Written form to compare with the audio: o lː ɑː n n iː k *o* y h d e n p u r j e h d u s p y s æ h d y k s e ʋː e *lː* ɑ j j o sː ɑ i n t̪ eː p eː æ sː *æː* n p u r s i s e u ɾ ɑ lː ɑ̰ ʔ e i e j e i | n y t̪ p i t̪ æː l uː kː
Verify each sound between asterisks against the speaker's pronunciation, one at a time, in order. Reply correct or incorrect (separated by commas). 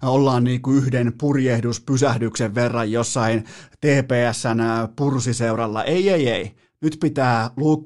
incorrect, incorrect, incorrect